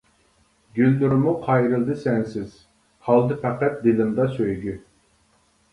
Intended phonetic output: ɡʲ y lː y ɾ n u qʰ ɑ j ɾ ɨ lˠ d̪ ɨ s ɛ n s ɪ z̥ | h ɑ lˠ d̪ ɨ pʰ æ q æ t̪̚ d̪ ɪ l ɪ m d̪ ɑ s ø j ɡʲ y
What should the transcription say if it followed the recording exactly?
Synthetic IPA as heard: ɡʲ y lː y ɾ m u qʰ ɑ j ɾ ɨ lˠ d̪ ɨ s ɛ n s ɪ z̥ | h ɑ lˠ d̪ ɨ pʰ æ q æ t̪̚ d̪ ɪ l ɪ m d̪ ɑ s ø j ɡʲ y